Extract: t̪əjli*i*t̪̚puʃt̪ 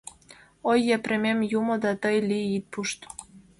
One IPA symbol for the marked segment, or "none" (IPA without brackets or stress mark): i